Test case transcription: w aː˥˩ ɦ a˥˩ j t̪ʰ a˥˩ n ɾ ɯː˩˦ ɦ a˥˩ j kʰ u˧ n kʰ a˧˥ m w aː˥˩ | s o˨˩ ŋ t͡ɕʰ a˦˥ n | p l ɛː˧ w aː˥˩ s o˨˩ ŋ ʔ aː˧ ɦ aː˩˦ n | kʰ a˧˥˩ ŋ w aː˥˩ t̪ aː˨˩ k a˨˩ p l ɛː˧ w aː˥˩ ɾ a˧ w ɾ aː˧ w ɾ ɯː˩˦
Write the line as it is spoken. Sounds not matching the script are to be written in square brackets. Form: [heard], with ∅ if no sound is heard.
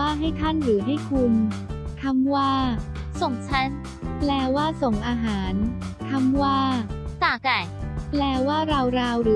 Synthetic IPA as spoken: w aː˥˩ ɦ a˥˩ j t̪ʰ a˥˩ n ɾ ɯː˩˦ ɦ a˥˩ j kʰ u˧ n kʰ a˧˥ m w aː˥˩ | s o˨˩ ŋ t͡ɕʰ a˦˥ n | p l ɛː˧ w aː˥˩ s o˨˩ ŋ ʔ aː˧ ɦ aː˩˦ n | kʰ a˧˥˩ [m] w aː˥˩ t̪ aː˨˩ k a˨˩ p l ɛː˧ w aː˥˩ ɾ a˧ w ɾ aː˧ w ɾ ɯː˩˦